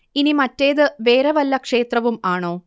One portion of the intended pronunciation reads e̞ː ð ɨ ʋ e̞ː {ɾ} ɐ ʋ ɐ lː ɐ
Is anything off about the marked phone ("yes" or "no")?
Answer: no